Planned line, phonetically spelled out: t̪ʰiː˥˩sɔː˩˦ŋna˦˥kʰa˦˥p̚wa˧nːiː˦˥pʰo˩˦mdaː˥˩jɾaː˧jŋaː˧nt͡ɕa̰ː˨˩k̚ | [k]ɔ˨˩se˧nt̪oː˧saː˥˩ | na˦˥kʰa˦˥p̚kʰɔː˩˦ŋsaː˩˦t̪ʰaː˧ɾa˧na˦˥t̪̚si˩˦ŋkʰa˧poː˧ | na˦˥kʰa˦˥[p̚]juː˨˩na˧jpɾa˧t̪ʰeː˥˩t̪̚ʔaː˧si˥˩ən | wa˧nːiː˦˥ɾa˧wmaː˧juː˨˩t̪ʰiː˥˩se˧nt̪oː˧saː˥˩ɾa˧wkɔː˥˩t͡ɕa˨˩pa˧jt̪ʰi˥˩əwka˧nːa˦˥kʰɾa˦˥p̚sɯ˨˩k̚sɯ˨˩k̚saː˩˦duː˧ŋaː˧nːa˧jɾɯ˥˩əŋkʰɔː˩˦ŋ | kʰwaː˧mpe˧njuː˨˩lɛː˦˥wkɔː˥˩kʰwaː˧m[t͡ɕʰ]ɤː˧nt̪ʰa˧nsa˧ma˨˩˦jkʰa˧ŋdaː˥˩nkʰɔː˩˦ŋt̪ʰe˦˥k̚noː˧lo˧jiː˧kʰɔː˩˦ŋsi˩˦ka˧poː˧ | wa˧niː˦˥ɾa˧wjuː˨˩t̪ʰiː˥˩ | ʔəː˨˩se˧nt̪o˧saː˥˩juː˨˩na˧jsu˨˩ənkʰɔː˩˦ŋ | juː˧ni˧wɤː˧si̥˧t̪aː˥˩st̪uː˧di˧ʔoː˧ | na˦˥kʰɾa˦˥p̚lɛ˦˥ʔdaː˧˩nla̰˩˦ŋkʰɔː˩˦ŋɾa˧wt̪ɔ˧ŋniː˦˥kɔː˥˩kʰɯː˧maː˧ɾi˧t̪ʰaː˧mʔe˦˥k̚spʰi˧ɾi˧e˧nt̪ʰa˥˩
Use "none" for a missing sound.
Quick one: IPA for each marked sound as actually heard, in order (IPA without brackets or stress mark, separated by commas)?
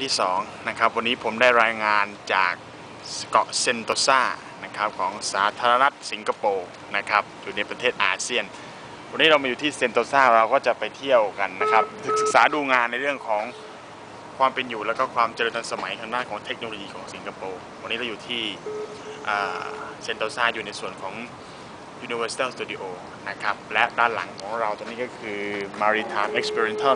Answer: k, p̚, t͡ɕ